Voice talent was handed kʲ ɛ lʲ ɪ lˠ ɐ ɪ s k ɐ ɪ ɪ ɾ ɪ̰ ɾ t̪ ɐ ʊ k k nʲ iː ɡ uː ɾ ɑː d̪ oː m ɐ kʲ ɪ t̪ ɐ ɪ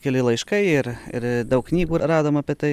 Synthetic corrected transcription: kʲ ɛ lʲ ɪ lˠ ɐ ɪ ʃ k ɐ ɪ ɪ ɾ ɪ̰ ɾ d̪ ɐ ʊ k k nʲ iː ɡ uː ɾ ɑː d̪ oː m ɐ pʲ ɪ t̪ ɐ ɪ